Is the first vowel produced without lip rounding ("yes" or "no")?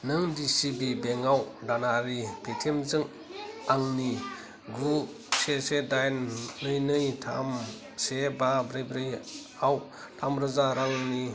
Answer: yes